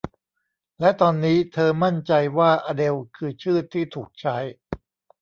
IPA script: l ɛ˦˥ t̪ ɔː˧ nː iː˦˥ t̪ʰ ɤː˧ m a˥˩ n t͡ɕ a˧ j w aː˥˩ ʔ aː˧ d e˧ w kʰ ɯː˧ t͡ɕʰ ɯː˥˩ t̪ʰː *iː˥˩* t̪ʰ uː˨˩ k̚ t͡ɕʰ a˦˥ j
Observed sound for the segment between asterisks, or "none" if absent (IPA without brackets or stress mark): iː˥˩